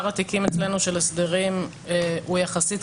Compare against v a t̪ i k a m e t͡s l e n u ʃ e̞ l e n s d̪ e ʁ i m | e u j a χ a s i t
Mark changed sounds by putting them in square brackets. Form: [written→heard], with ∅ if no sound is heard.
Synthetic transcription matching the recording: [v→ʁ] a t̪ i k [a→i] m e t͡s l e n u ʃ e̞ l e [n→∅] s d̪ e ʁ i m | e u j a χ a s i t